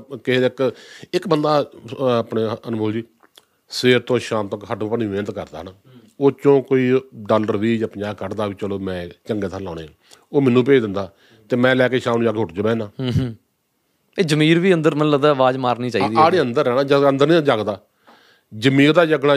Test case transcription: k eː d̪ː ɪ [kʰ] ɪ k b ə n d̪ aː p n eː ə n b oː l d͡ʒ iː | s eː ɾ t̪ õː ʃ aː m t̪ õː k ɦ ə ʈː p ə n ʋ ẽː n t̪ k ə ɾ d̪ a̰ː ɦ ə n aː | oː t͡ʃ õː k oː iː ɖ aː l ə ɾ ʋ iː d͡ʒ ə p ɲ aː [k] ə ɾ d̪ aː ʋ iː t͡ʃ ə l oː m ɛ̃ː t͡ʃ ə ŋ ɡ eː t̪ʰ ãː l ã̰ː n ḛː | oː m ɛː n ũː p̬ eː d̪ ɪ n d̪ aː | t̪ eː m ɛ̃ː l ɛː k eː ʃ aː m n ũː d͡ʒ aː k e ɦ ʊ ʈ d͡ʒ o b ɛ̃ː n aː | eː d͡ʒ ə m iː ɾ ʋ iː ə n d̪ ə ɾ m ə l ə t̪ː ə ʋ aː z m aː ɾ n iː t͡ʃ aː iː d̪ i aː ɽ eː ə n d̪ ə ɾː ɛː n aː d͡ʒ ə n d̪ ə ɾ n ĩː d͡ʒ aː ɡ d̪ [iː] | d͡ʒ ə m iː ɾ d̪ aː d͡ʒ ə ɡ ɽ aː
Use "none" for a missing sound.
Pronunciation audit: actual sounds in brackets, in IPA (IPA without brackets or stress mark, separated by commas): k, k, aː